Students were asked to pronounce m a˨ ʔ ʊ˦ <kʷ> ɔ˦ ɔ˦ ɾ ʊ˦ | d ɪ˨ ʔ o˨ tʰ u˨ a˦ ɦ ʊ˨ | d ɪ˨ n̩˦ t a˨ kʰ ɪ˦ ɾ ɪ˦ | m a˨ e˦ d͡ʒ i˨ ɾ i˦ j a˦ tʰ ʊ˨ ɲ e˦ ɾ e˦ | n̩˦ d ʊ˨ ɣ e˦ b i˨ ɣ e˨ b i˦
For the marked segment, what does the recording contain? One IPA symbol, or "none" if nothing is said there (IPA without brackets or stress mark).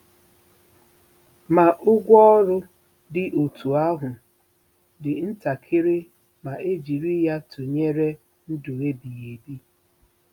ɡʷ